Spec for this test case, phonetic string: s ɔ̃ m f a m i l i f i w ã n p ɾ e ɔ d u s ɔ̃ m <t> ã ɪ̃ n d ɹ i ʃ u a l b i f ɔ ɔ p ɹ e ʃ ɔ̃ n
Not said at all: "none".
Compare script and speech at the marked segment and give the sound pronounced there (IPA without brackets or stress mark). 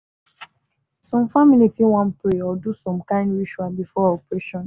k